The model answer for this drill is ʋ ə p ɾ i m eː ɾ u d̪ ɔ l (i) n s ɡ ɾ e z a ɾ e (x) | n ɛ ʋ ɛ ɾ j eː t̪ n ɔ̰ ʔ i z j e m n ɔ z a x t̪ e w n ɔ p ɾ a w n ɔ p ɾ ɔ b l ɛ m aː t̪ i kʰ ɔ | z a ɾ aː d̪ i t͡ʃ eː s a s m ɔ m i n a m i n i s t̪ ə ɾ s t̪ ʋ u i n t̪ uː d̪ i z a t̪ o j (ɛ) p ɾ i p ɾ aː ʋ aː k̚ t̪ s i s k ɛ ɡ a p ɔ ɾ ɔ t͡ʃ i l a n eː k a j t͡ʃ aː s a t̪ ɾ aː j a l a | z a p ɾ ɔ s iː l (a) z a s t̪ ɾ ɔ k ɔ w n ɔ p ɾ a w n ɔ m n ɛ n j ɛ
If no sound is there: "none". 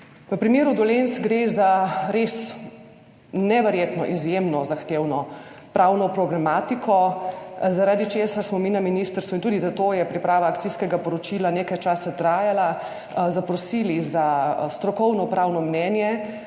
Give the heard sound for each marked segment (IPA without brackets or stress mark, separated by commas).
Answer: e, s, ɛ, i